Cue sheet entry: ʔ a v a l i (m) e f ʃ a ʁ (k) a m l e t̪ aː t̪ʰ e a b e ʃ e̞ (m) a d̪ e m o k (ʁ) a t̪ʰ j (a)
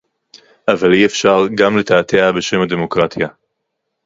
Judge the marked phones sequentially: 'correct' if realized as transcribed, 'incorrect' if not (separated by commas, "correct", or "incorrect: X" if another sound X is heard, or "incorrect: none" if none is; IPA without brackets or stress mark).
incorrect: none, incorrect: ɡ, correct, correct, correct